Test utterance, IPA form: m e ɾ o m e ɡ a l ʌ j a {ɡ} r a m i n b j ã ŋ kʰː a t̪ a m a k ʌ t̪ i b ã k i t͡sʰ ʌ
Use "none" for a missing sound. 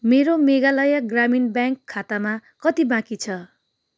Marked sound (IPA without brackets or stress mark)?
ɡ